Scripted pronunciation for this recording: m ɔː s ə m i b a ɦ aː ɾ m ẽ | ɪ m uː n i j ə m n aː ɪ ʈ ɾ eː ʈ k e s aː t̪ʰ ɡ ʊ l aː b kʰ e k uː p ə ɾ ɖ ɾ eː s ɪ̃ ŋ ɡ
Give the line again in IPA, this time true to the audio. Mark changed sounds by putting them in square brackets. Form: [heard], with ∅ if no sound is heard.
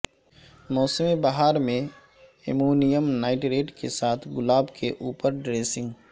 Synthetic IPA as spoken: m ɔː s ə m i b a ɦ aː ɾ m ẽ | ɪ m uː n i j ə m n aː ɪ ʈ ɾ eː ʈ k e s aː t̪ʰ ɡ ʊ l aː b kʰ e [ʔ] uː p ə ɾ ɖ ɾ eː s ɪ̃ ŋ ɡ